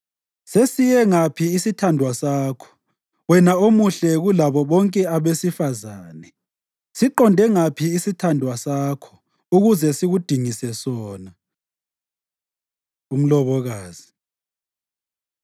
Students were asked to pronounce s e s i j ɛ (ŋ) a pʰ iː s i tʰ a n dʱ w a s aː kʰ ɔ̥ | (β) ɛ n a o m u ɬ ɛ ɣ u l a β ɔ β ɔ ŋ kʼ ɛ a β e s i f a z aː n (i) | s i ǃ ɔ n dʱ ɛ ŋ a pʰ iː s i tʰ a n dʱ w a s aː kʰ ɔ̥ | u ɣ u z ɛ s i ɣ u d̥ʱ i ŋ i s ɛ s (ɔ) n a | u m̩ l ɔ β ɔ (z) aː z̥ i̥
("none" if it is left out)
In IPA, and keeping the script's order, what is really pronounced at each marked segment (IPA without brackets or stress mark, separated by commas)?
ŋ, w, ɛ, ɔː, ɣ